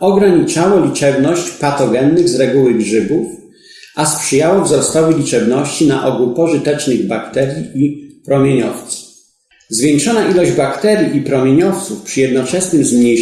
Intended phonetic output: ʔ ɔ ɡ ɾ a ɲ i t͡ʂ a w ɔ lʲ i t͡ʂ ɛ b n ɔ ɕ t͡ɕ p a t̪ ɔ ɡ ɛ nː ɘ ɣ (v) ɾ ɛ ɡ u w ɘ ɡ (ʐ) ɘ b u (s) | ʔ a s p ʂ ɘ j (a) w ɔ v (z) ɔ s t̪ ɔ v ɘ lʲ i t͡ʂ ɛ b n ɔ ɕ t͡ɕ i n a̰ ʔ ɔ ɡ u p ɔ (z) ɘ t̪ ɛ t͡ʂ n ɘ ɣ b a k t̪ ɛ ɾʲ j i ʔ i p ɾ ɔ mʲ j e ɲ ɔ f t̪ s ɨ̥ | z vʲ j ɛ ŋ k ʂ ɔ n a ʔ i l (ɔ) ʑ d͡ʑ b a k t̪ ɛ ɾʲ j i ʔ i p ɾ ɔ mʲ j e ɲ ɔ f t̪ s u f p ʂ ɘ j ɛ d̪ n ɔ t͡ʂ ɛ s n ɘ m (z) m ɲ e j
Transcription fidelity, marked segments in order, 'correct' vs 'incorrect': incorrect, correct, incorrect, correct, correct, incorrect, correct, correct

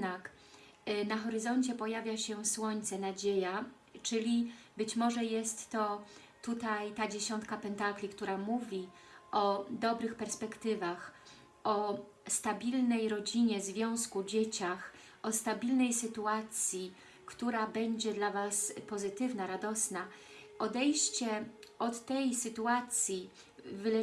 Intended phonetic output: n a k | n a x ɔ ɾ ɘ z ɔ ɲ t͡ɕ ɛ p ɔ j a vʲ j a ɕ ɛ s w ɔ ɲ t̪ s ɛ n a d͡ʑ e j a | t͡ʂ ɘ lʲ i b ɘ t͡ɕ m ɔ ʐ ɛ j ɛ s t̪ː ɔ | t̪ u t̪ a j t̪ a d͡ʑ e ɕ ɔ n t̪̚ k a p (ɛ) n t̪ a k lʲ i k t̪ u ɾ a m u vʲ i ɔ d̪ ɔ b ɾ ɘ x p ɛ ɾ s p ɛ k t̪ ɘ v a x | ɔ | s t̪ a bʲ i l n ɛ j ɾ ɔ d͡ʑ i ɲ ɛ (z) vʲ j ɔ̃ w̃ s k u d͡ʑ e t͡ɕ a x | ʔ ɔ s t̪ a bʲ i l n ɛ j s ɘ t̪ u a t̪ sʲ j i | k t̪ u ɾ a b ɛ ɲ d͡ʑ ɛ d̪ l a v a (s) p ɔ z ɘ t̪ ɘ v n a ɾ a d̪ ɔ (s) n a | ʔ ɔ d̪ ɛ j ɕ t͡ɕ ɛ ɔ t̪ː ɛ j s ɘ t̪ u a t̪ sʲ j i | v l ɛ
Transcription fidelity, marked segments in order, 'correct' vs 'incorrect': correct, correct, correct, correct

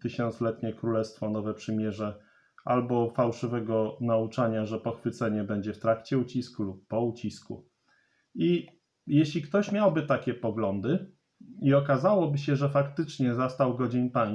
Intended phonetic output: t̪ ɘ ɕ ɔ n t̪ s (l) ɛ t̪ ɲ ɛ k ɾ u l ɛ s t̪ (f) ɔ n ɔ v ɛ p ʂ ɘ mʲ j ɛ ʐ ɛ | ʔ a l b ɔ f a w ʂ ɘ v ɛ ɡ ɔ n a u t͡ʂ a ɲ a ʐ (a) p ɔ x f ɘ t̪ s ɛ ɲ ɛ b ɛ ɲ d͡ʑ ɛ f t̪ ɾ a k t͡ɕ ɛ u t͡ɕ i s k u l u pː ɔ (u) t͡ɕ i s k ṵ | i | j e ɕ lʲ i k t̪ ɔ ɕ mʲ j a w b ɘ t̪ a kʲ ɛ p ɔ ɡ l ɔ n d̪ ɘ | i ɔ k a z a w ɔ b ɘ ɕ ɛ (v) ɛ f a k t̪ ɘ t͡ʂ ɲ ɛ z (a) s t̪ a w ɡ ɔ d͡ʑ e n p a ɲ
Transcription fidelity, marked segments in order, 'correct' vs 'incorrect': correct, correct, incorrect, correct, incorrect, correct

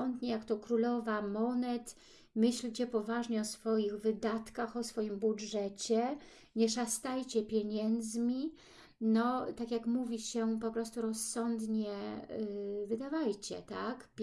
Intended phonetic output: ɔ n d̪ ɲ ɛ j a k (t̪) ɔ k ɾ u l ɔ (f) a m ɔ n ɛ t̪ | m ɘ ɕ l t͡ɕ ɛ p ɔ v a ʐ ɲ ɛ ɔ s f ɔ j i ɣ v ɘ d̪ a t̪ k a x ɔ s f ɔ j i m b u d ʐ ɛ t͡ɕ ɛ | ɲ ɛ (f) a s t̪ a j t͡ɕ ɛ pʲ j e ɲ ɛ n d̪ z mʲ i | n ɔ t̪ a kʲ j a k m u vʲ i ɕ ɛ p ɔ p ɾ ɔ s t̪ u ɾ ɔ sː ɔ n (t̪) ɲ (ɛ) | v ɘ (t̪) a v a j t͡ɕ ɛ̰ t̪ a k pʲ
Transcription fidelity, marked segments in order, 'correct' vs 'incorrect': correct, incorrect, incorrect, incorrect, correct, incorrect

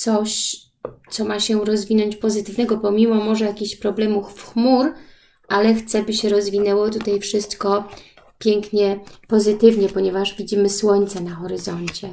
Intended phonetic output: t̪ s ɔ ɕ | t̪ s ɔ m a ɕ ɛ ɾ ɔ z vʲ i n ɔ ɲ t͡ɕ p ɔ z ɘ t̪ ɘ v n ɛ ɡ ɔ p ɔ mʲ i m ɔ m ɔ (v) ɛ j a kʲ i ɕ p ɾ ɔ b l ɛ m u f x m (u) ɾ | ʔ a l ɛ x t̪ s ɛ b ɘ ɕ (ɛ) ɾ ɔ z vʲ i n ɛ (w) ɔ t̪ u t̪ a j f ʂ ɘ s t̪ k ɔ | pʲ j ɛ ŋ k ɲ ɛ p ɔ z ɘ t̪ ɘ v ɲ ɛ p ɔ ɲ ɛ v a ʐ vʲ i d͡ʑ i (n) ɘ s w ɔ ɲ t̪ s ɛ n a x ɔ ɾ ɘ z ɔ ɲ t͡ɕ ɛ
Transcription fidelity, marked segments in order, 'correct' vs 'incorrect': incorrect, correct, correct, correct, incorrect

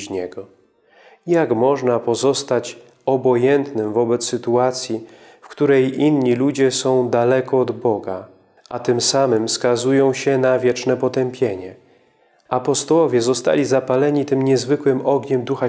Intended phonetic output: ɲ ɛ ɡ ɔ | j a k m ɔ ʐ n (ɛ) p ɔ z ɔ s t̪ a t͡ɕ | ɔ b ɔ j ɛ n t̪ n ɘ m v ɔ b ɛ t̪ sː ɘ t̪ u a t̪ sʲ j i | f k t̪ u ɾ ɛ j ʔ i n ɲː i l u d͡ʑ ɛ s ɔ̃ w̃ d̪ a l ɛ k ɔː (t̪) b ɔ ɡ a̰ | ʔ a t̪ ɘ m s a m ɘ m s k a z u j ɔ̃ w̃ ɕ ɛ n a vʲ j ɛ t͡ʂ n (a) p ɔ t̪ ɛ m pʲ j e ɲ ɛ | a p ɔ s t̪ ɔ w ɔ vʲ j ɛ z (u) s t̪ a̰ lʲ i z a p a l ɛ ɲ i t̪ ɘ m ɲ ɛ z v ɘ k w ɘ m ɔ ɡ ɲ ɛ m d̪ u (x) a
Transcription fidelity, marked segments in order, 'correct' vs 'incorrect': incorrect, incorrect, incorrect, incorrect, correct

